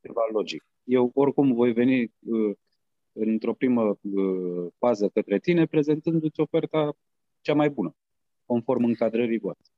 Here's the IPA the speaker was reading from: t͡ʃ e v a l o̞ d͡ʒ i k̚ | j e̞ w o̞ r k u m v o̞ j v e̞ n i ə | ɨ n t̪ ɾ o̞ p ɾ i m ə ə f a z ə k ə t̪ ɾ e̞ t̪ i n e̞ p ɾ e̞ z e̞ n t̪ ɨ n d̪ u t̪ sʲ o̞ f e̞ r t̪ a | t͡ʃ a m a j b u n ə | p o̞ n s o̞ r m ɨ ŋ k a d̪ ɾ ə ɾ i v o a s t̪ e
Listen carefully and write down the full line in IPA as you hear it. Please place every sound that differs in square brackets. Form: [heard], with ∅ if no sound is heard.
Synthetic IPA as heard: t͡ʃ e v a l o̞ d͡ʒ i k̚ | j e̞ w o̞ r k u m v o̞ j v e̞ n i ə | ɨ n t̪ ɾ o̞ p ɾ i m ə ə f a z ə k ə t̪ ɾ e̞ t̪ i n e̞ p ɾ e̞ z e̞ n t̪ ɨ n d̪ u t̪ sʲ o̞ f e̞ r t̪ a | t͡ʃ a m a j b u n ə | [k] o̞ n [f] o̞ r m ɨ ŋ k a d̪ ɾ ə ɾ i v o a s t̪ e